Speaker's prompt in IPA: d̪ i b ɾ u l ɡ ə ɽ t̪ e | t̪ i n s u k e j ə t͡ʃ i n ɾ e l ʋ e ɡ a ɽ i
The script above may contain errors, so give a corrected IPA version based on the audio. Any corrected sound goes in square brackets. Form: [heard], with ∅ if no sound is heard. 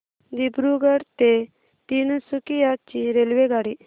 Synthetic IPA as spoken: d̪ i b ɾ u [∅] ɡ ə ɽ t̪ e | t̪ i n s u k [i] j [a] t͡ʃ i [∅] ɾ e l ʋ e ɡ a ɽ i